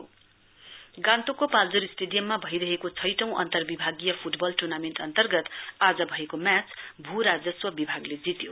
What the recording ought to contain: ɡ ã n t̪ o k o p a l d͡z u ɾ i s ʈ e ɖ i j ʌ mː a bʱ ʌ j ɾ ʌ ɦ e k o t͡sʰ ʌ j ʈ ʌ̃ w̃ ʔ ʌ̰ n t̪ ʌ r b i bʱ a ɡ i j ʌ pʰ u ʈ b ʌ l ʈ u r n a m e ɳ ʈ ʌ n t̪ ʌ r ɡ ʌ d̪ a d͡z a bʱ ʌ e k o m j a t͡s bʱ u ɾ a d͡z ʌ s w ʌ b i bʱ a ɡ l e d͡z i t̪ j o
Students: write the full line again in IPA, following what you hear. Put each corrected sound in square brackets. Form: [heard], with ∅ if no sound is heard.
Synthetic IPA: ɡ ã n t̪ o k o p a l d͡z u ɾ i s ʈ e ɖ i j ʌ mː a bʱ ʌ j ɾ ʌ ɦ e k o t͡sʰ ʌ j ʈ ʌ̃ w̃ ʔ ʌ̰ n t̪ ʌ r b i bʱ a ɡ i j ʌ pʰ u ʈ b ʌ l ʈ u r n a m e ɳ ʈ ʌ n t̪ ʌ r ɡ ʌ [t̪] a d͡z [ʌ] bʱ ʌ e k o m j a t͡s bʱ u ɾ a d͡z ʌ s w ʌ b i bʱ a ɡ l e d͡z i t̪ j o